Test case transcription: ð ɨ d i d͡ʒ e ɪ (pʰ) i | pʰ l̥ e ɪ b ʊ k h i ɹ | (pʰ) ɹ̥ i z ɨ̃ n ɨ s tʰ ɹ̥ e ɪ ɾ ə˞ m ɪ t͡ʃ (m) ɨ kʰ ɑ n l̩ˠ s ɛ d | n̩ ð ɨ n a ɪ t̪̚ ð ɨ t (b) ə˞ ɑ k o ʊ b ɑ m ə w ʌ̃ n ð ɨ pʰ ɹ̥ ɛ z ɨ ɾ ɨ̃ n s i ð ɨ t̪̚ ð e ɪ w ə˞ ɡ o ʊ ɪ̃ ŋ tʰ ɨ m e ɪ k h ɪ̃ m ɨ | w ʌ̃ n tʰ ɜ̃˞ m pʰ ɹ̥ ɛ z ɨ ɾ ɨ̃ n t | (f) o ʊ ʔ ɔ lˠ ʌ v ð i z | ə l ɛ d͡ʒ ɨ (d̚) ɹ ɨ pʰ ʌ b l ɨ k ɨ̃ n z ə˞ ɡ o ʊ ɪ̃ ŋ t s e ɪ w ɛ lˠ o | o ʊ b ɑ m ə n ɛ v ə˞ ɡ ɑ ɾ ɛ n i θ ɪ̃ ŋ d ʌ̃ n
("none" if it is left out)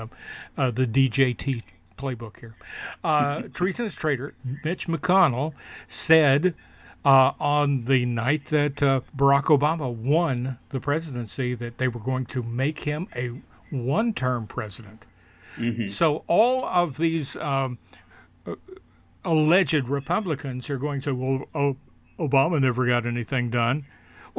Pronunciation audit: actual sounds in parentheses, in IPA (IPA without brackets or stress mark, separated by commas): tʰ, tʰ, m, b, s, d̚